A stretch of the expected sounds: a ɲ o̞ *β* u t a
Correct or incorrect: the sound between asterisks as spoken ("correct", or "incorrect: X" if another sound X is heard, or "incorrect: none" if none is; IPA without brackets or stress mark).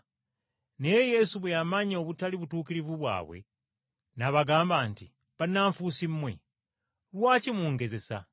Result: correct